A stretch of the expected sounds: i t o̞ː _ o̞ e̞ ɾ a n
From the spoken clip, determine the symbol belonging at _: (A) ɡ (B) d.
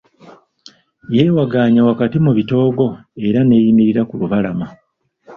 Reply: A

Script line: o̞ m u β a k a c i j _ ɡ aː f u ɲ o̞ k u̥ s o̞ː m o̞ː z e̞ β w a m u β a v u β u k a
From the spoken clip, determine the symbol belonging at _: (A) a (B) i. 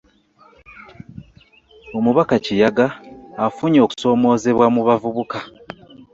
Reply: A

